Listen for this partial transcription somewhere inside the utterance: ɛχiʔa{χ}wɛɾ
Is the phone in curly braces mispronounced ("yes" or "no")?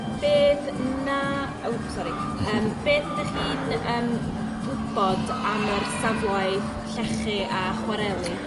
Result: no